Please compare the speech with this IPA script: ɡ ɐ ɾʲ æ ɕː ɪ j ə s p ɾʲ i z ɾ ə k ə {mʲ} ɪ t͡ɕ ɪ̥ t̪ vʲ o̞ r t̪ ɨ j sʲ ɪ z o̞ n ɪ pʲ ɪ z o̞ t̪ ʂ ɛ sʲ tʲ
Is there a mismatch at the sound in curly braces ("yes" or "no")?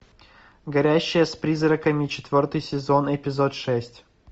no